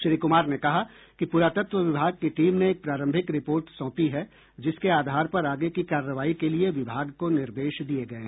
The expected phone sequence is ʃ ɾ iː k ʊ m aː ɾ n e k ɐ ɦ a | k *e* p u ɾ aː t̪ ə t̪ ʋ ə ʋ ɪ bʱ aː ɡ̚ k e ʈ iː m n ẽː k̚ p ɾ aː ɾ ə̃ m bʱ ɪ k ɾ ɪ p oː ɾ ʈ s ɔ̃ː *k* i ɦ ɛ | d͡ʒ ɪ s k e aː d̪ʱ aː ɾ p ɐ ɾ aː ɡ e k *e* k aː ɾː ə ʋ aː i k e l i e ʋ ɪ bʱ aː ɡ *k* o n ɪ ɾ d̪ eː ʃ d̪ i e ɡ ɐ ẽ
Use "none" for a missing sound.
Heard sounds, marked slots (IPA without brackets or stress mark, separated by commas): i, p, i, k